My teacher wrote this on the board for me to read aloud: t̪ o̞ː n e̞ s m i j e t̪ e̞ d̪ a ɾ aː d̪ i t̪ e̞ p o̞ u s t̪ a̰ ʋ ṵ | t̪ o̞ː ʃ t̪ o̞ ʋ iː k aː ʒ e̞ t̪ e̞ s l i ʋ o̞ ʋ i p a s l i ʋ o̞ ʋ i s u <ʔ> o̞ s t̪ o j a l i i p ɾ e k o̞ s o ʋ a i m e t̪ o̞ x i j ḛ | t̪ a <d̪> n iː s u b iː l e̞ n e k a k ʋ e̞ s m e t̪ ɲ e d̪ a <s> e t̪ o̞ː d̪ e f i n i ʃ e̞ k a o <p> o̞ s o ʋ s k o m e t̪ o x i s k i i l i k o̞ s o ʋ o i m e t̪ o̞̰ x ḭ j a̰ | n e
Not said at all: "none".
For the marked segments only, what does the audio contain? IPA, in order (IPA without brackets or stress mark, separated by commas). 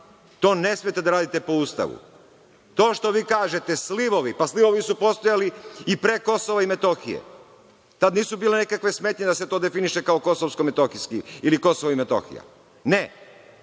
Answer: p, d̪, s, k